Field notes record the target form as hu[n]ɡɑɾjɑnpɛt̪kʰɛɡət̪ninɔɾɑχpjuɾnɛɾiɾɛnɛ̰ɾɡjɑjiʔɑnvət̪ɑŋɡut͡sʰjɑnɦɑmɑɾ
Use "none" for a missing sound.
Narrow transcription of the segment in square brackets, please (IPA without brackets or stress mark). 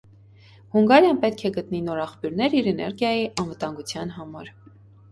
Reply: ŋ